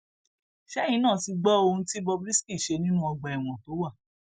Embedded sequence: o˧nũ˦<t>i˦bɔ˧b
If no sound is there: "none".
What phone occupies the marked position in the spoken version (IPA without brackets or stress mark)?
t